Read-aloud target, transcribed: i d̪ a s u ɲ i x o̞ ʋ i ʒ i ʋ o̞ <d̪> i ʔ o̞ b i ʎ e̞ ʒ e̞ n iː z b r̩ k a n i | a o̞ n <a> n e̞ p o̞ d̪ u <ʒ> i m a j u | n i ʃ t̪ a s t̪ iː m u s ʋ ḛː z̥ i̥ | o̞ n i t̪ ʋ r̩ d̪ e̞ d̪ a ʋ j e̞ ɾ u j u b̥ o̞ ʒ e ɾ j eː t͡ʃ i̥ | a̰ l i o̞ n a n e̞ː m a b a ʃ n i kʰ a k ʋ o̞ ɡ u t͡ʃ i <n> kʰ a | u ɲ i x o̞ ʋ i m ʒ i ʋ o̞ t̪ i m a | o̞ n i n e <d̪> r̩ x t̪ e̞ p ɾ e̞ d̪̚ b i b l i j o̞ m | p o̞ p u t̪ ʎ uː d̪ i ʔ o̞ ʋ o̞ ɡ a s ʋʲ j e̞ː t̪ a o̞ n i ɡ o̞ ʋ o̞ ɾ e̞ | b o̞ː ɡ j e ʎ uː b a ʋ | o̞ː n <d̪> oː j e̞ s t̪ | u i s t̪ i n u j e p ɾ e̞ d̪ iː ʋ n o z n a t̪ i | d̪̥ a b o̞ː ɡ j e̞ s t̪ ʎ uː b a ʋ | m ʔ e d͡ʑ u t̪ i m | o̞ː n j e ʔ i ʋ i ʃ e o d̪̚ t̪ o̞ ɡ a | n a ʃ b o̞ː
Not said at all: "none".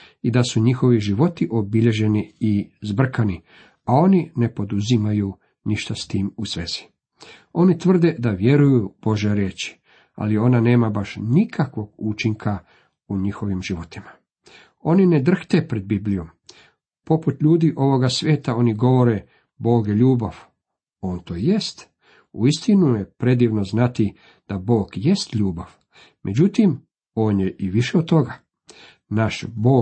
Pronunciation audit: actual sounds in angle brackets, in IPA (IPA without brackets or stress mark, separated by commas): t̪, i, z, ŋ, d̪, t̪